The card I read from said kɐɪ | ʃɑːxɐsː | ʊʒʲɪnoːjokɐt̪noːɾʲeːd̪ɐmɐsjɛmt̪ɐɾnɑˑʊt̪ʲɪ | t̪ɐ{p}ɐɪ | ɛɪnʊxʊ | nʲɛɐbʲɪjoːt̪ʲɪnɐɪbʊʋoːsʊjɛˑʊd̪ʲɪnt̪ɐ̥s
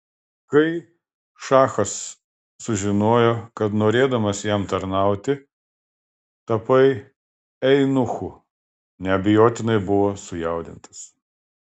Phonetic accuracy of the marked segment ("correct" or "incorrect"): correct